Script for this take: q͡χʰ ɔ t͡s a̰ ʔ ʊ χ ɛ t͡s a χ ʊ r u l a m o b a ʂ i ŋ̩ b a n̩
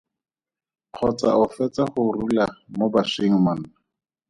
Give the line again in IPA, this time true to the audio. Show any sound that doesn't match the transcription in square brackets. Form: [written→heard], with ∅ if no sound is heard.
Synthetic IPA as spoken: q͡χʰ ɔ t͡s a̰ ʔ ʊ [χ→f] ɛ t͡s a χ ʊ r u l a m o b a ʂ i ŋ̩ [b→m] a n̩

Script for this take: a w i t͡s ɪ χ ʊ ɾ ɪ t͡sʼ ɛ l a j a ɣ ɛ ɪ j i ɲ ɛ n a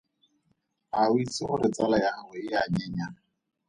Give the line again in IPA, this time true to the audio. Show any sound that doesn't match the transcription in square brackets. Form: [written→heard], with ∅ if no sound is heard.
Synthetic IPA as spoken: a w i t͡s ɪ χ ʊ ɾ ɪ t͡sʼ [ɛ→a] l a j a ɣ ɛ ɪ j [i→a] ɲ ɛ [n→ɲ] a

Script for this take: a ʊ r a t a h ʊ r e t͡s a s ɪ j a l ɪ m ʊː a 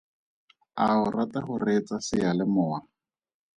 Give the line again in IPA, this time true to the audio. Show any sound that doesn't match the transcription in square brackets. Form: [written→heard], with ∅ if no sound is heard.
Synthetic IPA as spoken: a ʊ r a t a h ʊ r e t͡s a s ɪ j a l ɪ m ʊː a

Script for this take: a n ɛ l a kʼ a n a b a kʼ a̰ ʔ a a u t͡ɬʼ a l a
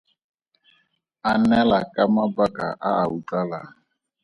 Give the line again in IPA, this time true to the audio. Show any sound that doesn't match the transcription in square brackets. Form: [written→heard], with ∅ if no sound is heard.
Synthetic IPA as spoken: a n ɛ l a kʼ a [n→m] a b a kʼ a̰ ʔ a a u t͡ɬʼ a l a

